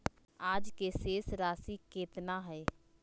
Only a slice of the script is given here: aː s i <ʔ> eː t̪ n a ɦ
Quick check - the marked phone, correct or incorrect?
incorrect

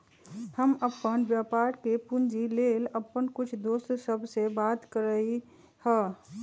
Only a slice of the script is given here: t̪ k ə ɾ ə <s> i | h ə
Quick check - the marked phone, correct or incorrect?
incorrect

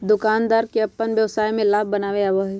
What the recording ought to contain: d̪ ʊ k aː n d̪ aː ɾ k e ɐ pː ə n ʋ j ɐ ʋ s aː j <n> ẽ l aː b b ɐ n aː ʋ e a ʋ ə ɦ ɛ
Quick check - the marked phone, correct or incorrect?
incorrect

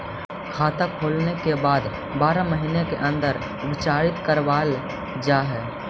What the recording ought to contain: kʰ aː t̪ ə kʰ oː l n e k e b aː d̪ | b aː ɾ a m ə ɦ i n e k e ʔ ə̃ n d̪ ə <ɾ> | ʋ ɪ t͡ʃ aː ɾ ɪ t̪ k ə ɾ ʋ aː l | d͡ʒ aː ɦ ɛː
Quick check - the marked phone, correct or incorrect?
correct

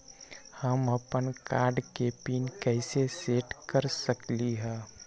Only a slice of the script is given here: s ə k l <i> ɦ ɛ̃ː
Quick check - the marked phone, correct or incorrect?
correct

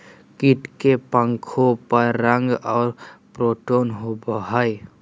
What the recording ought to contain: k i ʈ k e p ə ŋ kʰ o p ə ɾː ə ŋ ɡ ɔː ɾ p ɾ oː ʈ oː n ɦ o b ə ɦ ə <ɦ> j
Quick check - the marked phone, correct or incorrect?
incorrect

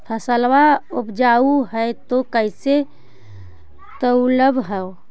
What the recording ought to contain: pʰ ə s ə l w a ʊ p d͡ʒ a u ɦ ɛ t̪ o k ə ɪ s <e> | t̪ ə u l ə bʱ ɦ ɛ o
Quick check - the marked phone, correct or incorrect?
correct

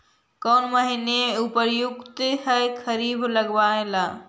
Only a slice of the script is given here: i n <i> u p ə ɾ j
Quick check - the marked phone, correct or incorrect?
incorrect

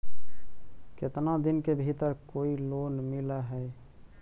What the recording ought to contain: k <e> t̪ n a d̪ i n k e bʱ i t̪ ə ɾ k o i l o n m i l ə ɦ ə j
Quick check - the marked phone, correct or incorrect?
correct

